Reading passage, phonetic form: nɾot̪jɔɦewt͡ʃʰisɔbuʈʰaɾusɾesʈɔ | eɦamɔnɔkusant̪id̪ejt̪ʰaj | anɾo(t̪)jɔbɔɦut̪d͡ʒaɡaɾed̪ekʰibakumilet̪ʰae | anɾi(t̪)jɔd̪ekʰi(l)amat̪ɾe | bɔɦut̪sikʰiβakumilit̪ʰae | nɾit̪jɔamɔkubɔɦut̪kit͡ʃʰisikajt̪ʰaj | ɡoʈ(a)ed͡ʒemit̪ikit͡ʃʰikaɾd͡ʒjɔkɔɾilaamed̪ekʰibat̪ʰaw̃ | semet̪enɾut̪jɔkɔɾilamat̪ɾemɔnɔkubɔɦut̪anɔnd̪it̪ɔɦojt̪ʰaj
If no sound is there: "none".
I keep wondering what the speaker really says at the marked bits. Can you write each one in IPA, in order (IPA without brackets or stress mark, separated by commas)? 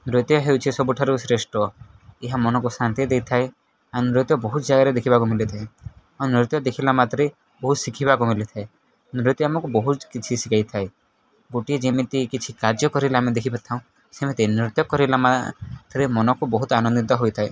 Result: t̪, t̪, l, i